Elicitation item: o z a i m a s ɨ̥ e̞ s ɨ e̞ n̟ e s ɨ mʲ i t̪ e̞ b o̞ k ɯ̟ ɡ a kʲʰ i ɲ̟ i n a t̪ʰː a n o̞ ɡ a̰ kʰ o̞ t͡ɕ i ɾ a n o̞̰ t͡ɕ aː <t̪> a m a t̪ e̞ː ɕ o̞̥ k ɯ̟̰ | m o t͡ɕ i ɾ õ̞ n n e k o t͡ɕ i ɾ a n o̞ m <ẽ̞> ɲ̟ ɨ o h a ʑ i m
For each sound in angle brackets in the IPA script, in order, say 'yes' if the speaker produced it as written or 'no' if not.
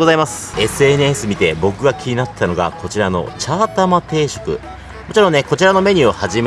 yes, no

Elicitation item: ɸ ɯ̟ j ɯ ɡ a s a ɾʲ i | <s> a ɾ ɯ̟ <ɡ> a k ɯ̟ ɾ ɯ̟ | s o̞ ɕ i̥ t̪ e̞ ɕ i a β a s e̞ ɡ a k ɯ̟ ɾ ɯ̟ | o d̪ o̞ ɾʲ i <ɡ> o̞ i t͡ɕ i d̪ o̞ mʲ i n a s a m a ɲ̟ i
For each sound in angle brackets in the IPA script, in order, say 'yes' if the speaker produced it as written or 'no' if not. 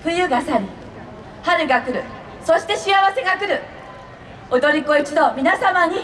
no, yes, no

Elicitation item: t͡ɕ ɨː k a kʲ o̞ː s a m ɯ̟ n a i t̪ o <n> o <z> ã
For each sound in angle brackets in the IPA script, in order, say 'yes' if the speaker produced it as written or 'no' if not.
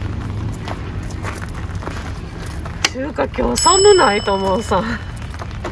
no, no

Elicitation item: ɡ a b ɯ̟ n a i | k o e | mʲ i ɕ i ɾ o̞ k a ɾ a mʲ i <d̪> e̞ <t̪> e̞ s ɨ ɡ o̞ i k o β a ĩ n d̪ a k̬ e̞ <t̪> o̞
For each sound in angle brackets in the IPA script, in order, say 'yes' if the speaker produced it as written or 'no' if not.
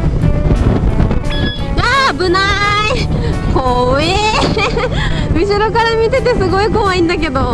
no, yes, no

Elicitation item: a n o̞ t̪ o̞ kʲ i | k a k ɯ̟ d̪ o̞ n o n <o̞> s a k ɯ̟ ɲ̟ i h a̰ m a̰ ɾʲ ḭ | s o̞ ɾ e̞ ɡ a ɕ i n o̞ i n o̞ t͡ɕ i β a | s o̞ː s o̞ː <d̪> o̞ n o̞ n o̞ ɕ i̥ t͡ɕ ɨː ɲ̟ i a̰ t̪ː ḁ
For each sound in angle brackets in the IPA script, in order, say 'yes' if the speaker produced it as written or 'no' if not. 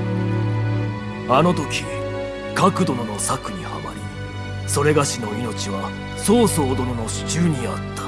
yes, yes

